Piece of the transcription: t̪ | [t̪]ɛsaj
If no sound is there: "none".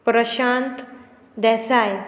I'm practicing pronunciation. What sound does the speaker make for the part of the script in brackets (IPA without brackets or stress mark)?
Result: d̪